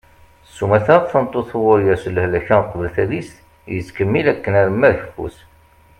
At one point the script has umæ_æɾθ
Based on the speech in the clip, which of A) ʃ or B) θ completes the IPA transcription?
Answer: B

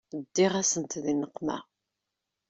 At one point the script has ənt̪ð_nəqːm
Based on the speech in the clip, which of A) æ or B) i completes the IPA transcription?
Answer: B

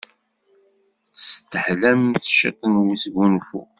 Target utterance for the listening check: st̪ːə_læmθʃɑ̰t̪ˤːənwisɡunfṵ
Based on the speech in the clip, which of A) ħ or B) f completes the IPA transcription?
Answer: A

